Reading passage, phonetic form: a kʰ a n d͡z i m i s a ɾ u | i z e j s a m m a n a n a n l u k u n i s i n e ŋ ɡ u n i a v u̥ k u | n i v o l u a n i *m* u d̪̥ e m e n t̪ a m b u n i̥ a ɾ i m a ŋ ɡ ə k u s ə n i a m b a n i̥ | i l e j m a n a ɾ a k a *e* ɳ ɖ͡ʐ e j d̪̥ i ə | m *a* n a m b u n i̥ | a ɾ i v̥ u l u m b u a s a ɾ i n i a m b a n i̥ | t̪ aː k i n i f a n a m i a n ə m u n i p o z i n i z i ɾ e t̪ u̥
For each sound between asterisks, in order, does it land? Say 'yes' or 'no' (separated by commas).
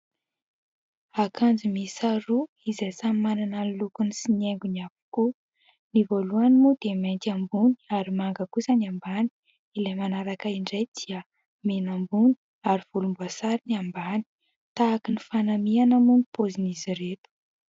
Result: yes, no, no